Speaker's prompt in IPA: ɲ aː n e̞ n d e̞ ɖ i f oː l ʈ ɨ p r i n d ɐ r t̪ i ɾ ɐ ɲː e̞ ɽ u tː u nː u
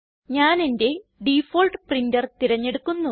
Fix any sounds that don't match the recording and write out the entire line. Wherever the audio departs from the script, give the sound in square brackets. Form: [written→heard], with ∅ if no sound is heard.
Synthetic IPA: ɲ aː n e̞ n d e̞ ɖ i f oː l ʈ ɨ p r i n d ɐ r t̪ i ɾ ɐ ɲː e̞ ɽ u [tː→kː] u nː u